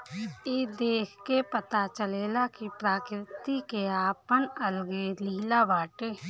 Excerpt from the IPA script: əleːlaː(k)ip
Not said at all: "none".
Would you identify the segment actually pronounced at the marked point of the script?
k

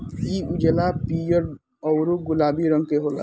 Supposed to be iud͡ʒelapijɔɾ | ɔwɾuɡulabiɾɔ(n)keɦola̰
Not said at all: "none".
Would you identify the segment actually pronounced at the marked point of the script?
ŋ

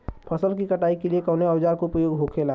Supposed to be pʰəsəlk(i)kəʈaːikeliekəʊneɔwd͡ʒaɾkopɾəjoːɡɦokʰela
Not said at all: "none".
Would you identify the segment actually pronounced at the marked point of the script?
i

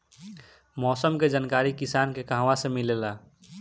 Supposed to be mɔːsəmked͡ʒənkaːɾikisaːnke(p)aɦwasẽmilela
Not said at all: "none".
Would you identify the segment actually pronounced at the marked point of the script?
k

